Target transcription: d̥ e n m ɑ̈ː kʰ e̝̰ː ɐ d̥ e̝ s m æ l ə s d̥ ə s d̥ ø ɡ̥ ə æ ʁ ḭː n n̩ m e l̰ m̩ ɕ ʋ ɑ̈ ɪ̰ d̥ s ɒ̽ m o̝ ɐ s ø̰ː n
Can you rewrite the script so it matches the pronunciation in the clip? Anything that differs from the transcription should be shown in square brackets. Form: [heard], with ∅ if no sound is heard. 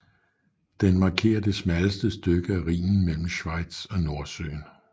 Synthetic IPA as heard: d̥ e n m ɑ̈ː kʰ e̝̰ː ɐ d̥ e̝ s m æ l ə s d̥ ə s d̥ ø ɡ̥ ə æ ʁ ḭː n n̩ m e l̰ m̩ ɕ ʋ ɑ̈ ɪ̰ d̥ s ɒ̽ [n] o̝ ɐ s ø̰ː n